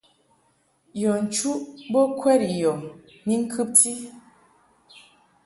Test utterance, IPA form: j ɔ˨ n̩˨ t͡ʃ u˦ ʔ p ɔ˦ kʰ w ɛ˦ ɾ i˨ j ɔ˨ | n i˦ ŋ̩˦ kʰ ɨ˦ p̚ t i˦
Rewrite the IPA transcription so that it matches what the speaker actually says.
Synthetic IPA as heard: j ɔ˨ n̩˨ t͡ʃ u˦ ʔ b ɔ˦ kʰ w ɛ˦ ɾ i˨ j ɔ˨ | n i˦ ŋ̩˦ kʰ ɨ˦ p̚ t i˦